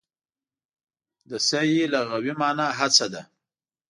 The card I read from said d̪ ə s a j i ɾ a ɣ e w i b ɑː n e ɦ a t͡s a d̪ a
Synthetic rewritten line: d̪ ə s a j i l a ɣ a w i m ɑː n a ɦ a t͡s a d̪ a